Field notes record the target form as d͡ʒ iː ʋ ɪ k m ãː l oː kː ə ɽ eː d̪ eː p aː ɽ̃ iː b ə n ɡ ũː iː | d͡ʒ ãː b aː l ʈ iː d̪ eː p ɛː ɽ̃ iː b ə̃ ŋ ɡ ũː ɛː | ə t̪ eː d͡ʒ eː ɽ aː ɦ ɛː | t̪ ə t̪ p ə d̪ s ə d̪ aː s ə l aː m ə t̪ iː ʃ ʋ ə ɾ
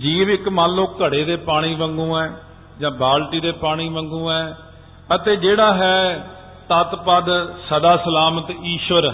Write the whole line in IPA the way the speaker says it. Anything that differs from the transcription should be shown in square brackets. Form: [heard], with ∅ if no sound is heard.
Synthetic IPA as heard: d͡ʒ iː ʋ ɪ k m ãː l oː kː ə ɽ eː d̪ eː p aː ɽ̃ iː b ə [ŋ] ɡ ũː [ɛː] | d͡ʒ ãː b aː l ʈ iː d̪ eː p [aː] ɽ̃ iː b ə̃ ŋ ɡ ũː ɛː | ə t̪ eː d͡ʒ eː ɽ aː ɦ ɛː | t̪ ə t̪ p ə d̪ s ə d̪ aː s ə l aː m ə t̪ iː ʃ ʋ ə ɾ